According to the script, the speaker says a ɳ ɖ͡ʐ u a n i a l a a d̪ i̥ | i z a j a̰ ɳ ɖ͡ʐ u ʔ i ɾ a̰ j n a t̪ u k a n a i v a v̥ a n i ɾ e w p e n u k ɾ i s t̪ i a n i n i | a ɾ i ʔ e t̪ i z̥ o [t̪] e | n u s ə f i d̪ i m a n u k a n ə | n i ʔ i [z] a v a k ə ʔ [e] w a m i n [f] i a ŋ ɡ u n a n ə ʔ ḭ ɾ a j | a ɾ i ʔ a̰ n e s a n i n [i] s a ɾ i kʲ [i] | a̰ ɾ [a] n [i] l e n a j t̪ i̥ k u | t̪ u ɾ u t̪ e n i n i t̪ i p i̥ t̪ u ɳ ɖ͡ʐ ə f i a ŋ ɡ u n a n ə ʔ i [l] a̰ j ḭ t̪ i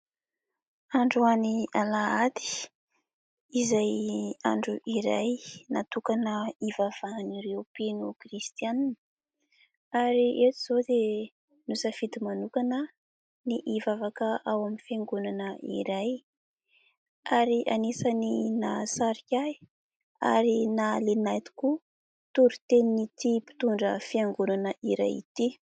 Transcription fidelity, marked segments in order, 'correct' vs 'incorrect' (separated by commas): incorrect, incorrect, incorrect, correct, incorrect, incorrect, incorrect, incorrect, incorrect